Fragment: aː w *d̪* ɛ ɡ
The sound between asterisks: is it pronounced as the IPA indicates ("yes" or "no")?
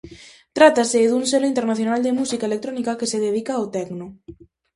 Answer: no